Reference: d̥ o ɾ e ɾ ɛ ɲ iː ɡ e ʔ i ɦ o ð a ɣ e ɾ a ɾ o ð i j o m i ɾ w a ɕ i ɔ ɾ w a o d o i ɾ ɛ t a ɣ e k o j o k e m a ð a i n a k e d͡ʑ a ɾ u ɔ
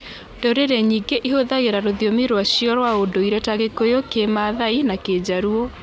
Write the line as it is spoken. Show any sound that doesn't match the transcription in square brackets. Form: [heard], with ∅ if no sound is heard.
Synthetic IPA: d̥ o ɾ e ɾ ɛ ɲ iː ɡ e ʔ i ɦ o ð a ɣ e ɾ a ɾ o ð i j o m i ɾ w a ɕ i ɔ ɾ w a o d o i ɾ ɛ t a ɣ e k o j o k e m a ð a i n a k e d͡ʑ a ɾ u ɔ

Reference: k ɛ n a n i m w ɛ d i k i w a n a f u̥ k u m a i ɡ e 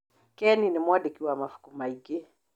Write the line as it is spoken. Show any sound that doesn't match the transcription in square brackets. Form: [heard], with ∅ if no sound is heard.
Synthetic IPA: k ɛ n [i] n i m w [a] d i k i w a [m] a f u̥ k u m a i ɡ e

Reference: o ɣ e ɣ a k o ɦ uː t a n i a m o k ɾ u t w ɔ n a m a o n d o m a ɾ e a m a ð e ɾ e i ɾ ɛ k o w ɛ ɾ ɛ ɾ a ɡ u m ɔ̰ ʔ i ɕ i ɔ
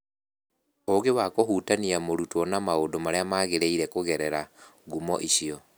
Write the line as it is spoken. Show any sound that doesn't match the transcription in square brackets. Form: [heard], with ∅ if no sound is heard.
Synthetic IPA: o ɣ e [w] a k o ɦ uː t a n i a m o [∅] ɾ u t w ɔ n a m a o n d o m a ɾ e a m a [ɣ] e ɾ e i ɾ ɛ k o [ɣ] ɛ ɾ ɛ ɾ a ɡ u m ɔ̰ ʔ i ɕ i ɔ

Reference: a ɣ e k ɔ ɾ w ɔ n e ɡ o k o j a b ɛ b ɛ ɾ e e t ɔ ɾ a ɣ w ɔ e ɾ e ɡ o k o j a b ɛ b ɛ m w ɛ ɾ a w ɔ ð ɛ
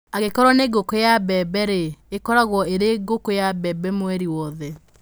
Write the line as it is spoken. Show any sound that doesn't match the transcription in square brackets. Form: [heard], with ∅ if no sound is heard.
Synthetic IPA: a ɣ e k ɔ ɾ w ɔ n e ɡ o k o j a b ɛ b ɛ ɾ e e [k] ɔ ɾ a ɣ w ɔ e ɾ e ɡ o k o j a b ɛ b ɛ m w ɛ ɾ [i] w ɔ ð ɛ

